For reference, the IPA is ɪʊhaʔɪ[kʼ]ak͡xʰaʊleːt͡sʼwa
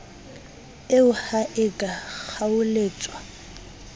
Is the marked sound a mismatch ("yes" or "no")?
no